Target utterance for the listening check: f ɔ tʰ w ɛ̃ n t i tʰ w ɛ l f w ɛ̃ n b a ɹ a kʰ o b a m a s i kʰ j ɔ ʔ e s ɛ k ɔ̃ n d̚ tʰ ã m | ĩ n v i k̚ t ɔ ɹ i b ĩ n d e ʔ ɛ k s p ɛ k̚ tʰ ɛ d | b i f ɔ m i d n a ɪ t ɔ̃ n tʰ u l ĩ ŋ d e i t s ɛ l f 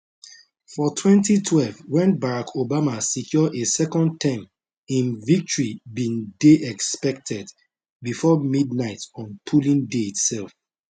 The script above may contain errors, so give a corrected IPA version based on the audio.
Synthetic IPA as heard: f ɔ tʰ w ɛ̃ n t i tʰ w ɛ l v w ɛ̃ n b a ɹ a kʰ o b a m a s i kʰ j ɔ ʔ e s ɛ k ɔ̃ n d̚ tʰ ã m | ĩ n v i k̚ t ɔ ɹ i b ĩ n d e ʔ ɛ k s p ɛ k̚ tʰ ɛ d | b i f ɔ m i d n a ɪ t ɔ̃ n pʰ u l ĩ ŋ d e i t s ɛ l f